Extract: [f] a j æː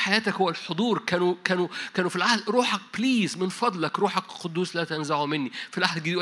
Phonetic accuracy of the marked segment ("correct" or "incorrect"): incorrect